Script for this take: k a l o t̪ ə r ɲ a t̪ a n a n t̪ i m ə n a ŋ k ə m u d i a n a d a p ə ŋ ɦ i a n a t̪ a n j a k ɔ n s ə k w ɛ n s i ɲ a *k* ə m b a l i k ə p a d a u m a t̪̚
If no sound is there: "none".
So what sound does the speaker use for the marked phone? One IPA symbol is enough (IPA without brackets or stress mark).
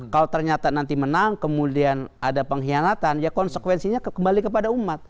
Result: k